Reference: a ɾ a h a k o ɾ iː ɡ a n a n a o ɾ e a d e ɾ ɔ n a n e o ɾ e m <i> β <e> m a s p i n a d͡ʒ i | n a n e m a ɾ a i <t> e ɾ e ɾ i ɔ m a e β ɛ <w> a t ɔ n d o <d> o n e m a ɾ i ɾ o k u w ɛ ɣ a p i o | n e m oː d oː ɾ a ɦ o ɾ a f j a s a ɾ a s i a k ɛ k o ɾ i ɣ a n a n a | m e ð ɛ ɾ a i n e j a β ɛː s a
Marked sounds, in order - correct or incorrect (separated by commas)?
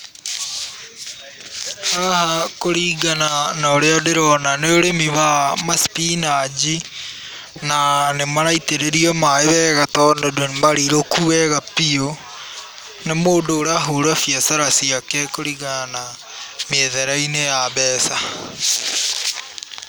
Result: correct, incorrect, correct, incorrect, correct